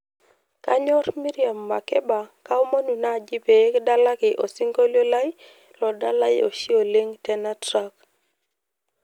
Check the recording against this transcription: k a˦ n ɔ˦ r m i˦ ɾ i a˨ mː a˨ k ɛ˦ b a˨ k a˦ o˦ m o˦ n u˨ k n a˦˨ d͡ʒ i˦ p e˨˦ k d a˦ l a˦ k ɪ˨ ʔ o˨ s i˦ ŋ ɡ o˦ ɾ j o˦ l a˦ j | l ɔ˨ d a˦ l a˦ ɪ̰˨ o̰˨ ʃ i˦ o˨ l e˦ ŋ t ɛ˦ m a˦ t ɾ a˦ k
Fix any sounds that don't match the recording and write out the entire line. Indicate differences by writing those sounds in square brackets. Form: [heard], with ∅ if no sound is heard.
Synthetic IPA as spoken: k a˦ [ɲ] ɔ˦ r m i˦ ɾ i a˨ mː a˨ k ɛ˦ b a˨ k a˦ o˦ m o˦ n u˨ [∅] n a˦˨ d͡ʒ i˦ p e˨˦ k d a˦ l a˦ k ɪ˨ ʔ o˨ s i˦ ŋ ɡ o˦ [l] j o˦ l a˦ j | l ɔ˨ d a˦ l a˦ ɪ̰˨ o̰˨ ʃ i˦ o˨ l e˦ ŋ t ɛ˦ [n] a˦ t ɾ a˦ k